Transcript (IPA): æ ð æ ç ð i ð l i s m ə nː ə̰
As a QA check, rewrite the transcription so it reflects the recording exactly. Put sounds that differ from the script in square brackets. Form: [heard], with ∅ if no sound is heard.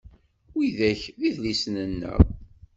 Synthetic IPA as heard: [i] ð æ ç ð i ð l i s [n] ə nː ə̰